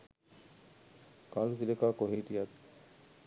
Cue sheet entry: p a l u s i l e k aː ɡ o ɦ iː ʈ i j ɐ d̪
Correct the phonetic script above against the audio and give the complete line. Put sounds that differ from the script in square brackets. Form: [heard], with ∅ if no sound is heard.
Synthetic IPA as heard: [k] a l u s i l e k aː [k] o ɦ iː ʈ i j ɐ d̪